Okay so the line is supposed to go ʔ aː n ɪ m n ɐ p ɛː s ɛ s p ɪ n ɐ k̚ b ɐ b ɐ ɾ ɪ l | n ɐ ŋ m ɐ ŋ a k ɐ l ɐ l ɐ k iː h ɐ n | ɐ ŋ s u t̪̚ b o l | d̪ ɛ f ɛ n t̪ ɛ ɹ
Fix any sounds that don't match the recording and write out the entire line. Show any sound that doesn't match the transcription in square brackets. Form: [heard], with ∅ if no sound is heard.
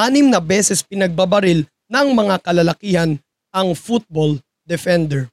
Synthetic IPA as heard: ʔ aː n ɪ m n ɐ [b] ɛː s ɛ s p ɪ n ɐ [ɡ̚] b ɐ b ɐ ɾ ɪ l | n ɐ ŋ m ɐ ŋ a k ɐ l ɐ l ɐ k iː h ɐ n | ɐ ŋ [f] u t̪̚ b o l | d̪ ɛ f ɛ n [d̪] ɛ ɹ